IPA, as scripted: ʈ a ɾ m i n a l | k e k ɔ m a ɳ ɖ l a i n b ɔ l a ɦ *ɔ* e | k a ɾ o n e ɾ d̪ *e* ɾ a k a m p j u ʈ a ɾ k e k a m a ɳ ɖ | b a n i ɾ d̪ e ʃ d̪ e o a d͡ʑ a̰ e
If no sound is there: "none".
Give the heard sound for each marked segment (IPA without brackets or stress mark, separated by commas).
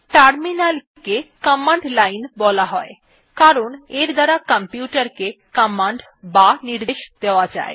ɔ, a